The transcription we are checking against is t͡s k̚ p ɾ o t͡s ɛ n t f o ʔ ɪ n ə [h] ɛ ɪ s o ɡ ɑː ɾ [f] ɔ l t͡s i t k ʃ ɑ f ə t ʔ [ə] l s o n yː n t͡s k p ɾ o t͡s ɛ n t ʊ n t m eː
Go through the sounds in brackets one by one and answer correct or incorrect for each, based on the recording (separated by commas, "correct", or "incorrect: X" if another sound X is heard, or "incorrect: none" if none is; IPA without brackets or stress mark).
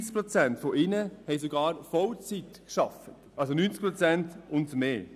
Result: correct, correct, incorrect: ɑ